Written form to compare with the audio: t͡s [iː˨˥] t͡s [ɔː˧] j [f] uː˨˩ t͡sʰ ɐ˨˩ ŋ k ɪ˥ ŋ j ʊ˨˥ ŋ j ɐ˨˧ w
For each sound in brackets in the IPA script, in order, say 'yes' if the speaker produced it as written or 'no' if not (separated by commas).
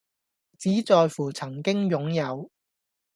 yes, yes, yes